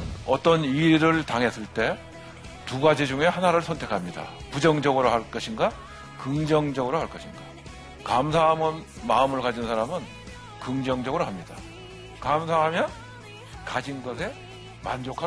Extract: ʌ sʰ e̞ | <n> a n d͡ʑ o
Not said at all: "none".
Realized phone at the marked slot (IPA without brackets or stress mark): m